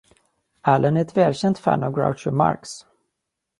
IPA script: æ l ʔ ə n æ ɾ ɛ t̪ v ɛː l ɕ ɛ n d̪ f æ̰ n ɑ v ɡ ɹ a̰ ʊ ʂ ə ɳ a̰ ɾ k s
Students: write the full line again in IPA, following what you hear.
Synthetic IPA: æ l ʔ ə n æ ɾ ɛ t̪ v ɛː l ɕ ɛ n t̪ f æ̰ n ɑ v ɡ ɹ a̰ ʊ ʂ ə m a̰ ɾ k s

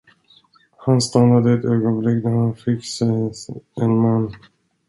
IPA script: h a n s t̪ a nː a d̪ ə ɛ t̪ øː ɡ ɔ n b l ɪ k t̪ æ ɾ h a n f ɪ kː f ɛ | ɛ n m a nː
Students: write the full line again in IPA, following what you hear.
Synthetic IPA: h a n s t̪ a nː a d̪ ə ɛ t̪ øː ɡ ɔ n b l ɪ k d̪ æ ɾ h a n f ɪ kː s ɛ | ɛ n m a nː

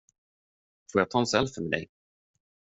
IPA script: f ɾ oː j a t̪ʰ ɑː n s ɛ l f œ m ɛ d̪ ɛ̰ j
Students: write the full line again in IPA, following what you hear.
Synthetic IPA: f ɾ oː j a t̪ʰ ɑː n s ɛ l f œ m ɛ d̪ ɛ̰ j

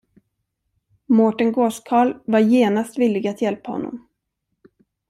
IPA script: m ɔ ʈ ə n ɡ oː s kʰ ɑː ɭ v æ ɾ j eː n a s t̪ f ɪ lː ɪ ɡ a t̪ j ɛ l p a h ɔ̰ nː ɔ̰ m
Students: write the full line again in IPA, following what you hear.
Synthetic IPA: m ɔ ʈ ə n ɡ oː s kʰ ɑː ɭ v a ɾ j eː n a s t̪ v ɪ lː ɪ ɡ a t̪ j ɛ l p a h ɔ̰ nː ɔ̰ m

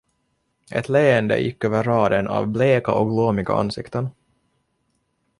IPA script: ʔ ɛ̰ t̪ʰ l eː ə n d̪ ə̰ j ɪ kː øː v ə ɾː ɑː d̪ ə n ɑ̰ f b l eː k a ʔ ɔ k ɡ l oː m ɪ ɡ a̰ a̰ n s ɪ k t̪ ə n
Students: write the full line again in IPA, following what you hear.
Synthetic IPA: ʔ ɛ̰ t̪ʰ l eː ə n d̪ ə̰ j ɪ kː øː v ə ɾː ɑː d̪ ə n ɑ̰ v b l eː k a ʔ ɔ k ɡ l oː m ɪ ɡ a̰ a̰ n s ɪ k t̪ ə n

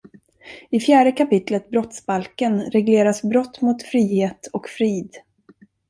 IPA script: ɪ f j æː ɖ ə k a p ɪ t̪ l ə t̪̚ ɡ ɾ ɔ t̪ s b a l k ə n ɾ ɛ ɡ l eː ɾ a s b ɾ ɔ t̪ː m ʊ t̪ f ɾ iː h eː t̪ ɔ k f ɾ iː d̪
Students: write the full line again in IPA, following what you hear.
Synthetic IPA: ɪ f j æː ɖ ə k a p ɪ t̪ l ə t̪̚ b ɾ ɔ t̪ s b a l k ə n ɾ ɛ ɡ l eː ɾ a s b ɾ ɔ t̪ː m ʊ t̪ f ɾ iː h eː t̪ ɔ k f ɾ iː d̪

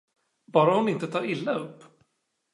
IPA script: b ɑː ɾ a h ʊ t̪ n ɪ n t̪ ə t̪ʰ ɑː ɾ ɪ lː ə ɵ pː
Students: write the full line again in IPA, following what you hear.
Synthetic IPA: b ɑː ɾ a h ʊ n ɪ n t̪ ə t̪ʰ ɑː ɾ ɪ lː a ɵ pː

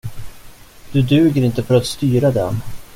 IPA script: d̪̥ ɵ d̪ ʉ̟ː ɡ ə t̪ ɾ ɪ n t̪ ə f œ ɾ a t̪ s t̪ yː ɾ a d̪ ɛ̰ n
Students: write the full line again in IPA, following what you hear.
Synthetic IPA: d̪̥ ɵ d̪ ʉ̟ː ɡ ə ɾ ɪ n t̪ ə f œ ɾ a t̪ s t̪ yː ɾ a d̪ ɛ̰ n

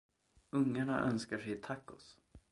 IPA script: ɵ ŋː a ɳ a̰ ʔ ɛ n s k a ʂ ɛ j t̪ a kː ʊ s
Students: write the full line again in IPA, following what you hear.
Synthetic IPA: ɵ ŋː a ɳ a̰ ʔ œ n s k a ʂ ɛ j t̪ʰ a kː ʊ s

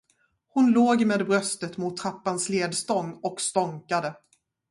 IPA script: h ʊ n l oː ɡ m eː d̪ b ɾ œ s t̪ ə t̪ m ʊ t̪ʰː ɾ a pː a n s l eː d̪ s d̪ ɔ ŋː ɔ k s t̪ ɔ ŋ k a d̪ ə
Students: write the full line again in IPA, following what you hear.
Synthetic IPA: h ʊ n l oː ɡ m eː d̪ b ɾ œ s t̪ ə t̪ m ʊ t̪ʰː ɾ a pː a n s l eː d̪ s t̪ ɔ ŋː ɔ k s t̪ ɔ ŋ k a d̪ ə

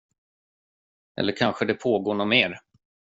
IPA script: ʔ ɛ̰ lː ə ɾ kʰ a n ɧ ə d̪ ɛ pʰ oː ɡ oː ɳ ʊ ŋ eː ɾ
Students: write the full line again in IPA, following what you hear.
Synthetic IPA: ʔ ɛ̰ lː ə ɾ kʰ a n ɧ ə d̪ ɛ pʰ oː ɡ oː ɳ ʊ m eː ɾ

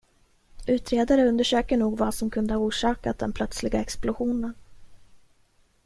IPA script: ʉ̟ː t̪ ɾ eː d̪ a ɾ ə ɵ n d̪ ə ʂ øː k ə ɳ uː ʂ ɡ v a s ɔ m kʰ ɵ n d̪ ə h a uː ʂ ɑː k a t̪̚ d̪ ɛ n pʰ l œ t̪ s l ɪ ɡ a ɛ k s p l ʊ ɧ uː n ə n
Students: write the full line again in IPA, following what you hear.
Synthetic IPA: ʉ̟ː t̪ ɾ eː d̪ a ɾ ə ɵ n d̪ ə ʂ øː k ə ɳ uː ɡ v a s ɔ m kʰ ɵ n d̪ ə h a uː ʂ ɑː k a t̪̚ d̪ ɛ n pʰ l œ t̪ s l ɪ ɡ a ɛ k s p l ʊ ɧ uː n ə n

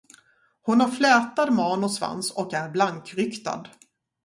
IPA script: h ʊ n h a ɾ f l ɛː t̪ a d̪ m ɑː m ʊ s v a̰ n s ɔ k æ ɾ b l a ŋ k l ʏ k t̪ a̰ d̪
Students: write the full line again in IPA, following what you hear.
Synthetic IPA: h ʊ n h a ɾ f l ɛː t̪ a d̪ m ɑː n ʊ s v a̰ n s ɔ k æ ɾ b l a ŋ k ɾ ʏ k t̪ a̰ d̪

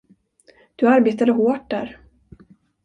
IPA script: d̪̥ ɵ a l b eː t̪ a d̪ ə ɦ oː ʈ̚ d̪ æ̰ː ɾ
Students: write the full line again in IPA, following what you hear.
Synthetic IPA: d̪̥ ɵ a ɾ b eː t̪ a d̪ ə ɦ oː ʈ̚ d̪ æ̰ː ɾ

